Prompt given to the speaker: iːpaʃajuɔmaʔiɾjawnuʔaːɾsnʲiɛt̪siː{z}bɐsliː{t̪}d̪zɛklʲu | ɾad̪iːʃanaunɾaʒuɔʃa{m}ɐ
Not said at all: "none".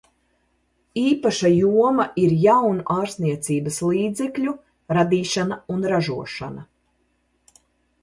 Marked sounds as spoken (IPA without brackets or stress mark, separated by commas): none, none, n